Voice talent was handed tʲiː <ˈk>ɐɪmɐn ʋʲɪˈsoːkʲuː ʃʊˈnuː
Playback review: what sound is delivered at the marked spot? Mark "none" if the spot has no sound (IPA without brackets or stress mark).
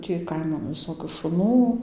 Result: k